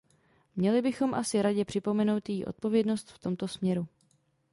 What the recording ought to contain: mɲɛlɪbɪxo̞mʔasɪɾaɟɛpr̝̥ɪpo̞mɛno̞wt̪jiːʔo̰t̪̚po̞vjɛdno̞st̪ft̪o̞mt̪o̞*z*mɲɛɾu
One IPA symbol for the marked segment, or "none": s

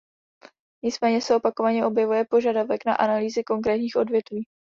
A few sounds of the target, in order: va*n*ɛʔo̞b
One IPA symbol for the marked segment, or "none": ɲ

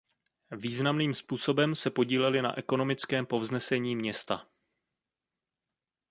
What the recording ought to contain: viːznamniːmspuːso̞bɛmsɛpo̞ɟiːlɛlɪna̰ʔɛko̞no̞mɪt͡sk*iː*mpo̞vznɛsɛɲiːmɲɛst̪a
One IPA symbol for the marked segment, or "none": ɛː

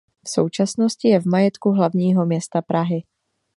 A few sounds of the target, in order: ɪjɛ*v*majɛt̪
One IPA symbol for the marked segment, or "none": v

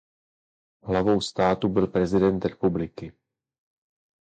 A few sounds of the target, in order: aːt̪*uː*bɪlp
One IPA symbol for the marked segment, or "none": u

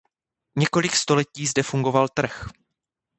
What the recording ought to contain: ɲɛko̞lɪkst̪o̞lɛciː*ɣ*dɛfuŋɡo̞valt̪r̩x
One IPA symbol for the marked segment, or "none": z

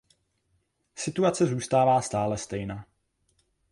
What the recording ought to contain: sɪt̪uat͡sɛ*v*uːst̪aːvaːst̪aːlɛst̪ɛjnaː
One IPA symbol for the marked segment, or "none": z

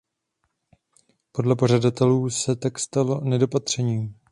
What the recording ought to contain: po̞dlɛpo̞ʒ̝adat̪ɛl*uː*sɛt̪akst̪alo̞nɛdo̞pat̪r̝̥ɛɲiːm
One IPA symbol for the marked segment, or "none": uː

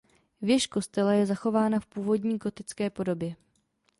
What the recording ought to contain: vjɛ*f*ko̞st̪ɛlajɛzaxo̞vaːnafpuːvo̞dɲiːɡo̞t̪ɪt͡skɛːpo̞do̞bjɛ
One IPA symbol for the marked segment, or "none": ʃ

